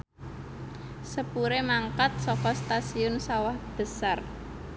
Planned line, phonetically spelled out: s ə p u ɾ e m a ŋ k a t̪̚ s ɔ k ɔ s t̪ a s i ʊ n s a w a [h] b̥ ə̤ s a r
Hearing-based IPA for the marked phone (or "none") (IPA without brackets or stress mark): h